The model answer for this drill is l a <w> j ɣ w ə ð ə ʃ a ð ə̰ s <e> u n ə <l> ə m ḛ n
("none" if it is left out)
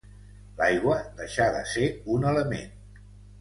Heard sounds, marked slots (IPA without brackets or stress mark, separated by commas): none, e, l